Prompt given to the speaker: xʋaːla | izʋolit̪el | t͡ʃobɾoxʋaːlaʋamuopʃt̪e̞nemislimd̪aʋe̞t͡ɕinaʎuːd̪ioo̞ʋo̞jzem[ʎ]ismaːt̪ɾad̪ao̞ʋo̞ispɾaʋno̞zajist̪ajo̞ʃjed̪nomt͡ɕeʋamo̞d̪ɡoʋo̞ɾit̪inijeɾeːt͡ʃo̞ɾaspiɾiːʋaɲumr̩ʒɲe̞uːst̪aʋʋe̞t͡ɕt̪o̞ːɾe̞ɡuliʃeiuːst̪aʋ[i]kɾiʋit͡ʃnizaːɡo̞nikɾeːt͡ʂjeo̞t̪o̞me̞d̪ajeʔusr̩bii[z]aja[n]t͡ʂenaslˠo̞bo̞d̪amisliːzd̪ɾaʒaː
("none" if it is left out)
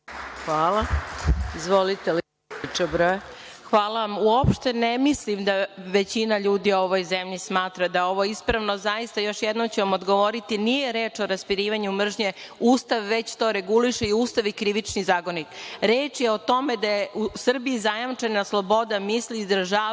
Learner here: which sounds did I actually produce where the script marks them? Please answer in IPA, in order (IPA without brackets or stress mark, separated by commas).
ʎ, i, z, m